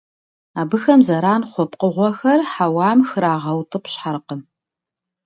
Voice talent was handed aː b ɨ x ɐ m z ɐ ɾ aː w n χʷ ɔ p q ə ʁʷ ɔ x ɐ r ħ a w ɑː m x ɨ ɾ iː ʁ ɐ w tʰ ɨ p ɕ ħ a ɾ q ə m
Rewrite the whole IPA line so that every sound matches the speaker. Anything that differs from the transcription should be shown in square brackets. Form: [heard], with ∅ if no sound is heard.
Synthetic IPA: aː b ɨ x ɐ m z ɐ ɾ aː [∅] n χʷ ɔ p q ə ʁʷ ɔ x ɐ r ħ a w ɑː m x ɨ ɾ [aː] ʁ ɐ w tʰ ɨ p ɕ ħ a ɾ q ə m